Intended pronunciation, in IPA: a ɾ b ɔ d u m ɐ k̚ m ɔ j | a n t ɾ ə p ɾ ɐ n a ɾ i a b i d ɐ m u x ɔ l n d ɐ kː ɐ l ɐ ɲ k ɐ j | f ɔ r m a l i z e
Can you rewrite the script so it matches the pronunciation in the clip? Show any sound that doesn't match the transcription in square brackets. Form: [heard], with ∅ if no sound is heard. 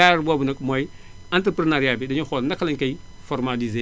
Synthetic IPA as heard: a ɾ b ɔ [b] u [n] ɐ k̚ m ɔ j | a n t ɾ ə p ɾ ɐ n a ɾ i a b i d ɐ [ɲ] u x ɔ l n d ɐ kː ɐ l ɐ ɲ k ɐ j | f ɔ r m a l i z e